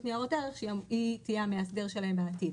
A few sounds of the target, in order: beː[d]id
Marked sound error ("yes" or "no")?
yes